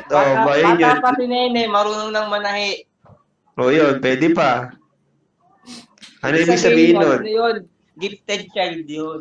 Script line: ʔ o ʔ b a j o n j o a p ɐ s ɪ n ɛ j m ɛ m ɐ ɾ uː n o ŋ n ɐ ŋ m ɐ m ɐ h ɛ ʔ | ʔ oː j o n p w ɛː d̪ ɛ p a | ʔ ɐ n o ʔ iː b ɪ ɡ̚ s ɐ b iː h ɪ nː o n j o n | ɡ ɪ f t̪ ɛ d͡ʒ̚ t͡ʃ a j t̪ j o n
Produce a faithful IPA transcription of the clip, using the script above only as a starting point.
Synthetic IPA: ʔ o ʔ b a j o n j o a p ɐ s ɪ n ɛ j n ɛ m ɐ ɾ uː n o ŋ n ɐ ŋ m ɐ n ɐ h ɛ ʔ | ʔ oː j o n p w ɛː d̪ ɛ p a | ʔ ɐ n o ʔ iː b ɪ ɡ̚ s ɐ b iː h ɪ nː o n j o n | ɡ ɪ f t̪ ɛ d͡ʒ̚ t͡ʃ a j d̪ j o n